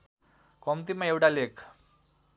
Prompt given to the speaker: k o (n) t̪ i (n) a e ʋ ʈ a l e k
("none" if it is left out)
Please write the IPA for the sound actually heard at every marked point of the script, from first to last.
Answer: m, m

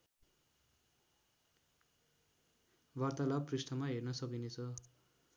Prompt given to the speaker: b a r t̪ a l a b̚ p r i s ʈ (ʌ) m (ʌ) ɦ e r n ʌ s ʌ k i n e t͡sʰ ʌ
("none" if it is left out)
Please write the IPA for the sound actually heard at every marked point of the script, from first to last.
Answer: ʌ, a

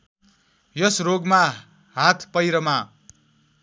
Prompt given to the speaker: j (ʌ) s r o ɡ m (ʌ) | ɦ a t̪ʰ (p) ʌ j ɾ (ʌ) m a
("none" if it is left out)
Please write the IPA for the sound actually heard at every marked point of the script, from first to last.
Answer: ʌ, a, p, ʌ

